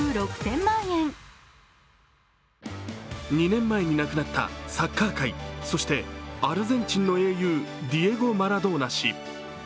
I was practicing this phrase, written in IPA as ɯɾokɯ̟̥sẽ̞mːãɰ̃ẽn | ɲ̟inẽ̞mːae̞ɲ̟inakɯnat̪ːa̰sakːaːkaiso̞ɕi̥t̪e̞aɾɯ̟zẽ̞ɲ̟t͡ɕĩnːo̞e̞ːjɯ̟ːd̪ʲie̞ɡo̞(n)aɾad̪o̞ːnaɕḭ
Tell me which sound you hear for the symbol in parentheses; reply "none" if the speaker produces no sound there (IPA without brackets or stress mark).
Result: m